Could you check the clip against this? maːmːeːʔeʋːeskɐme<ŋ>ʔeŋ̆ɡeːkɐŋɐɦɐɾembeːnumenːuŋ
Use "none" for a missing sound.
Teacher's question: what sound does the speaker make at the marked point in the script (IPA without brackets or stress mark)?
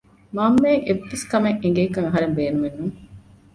ŋ